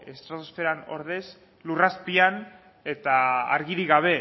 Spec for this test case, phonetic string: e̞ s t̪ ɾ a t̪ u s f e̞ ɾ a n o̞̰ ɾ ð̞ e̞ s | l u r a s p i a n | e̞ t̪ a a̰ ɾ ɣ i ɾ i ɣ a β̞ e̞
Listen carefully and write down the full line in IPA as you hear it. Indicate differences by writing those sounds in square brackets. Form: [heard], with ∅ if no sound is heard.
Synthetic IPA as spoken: e̞ s t̪ ɾ a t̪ [o] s f e̞ ɾ a n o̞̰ ɾ ð̞ e̞ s | l u r a s p i a n | e̞ t̪ a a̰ ɾ ɣ i ɾ i ɣ a β̞ e̞